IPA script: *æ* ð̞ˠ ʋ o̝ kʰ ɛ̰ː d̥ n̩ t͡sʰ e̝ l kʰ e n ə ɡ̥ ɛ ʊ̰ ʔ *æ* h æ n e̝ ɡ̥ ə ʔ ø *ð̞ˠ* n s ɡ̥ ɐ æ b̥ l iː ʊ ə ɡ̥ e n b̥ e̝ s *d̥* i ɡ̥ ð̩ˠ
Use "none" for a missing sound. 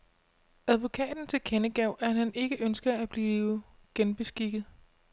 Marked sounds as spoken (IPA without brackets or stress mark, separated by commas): æ, æ, none, ɡ̥